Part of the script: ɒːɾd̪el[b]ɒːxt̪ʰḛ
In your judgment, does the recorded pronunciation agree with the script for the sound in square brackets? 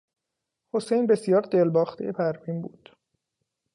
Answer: yes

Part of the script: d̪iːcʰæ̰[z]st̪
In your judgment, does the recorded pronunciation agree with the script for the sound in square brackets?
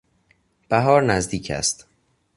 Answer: no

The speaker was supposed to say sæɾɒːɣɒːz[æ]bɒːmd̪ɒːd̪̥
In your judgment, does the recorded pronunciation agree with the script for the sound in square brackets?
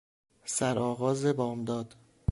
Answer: no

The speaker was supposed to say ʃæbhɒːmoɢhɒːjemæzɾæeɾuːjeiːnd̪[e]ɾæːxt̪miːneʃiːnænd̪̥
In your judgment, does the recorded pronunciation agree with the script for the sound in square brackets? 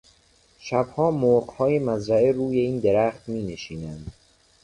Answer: yes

